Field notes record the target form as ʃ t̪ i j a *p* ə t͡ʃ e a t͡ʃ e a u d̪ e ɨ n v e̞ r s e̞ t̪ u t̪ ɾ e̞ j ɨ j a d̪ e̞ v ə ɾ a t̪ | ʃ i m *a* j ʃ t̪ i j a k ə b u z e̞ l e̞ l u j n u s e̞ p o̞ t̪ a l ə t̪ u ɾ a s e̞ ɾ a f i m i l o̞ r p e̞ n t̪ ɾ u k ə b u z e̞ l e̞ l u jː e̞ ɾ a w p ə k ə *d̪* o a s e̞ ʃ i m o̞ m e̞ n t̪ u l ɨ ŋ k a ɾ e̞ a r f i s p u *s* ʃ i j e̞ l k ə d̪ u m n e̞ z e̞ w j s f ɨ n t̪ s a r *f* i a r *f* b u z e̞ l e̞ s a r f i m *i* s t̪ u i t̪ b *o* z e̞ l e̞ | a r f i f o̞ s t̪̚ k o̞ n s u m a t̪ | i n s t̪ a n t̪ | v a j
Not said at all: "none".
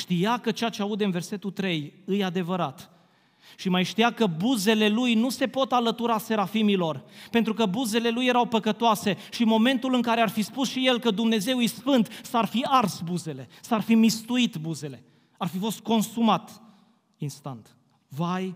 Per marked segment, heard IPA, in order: k, a, t̪, s, f, s, i, u

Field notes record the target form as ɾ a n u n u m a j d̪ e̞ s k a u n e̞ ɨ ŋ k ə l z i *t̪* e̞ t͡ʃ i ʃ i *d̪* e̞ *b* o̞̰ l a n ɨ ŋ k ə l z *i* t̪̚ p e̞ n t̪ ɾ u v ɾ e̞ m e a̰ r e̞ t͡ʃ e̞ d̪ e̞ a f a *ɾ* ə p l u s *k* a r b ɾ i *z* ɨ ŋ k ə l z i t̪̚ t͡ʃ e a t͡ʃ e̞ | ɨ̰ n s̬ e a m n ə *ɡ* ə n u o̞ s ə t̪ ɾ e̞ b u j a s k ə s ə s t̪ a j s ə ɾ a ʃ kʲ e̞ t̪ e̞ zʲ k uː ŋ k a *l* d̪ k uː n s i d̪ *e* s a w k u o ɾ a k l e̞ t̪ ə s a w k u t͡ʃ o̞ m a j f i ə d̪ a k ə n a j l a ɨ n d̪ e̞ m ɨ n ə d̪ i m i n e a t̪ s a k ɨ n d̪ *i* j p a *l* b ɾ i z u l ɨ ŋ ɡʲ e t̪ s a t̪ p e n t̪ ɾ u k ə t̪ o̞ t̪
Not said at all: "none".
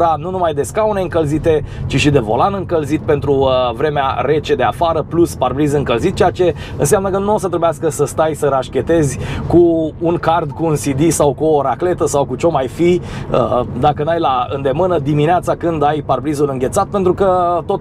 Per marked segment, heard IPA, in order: t̪, d̪, v, i, ɾ, p, z, k, r, i, a, r

